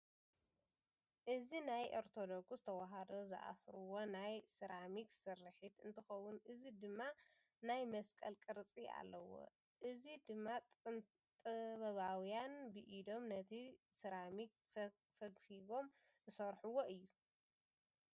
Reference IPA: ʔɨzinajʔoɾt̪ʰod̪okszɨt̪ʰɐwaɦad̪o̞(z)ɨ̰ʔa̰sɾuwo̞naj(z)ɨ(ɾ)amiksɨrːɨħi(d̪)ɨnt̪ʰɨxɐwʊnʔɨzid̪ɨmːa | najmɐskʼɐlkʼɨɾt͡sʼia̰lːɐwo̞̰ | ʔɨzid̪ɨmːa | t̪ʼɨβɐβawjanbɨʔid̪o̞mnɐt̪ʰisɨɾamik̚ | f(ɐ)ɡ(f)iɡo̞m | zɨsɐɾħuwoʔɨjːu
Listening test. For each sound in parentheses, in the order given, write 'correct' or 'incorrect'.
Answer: correct, incorrect, correct, incorrect, correct, correct

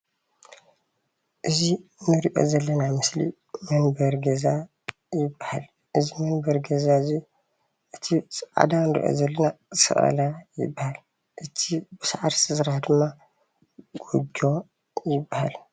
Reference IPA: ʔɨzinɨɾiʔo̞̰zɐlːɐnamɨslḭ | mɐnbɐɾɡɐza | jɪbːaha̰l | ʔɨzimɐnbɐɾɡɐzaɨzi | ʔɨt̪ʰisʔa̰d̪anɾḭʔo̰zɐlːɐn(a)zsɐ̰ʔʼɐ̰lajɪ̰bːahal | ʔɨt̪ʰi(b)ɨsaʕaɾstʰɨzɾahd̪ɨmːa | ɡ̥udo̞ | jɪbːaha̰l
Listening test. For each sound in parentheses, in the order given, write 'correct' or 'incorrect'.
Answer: correct, correct

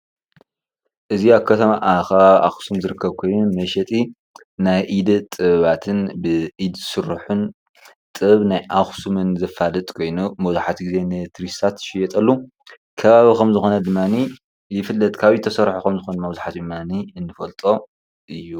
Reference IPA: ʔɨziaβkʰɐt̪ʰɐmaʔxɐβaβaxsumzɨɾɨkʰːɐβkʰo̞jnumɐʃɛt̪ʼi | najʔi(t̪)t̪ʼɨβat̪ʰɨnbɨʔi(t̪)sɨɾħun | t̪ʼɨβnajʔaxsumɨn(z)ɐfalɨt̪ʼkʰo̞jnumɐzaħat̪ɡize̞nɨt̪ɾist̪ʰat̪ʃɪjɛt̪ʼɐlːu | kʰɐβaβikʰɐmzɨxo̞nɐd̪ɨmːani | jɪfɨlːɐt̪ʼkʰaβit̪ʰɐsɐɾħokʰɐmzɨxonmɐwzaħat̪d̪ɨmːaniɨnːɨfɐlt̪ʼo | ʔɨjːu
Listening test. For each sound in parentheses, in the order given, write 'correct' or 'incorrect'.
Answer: incorrect, incorrect, correct

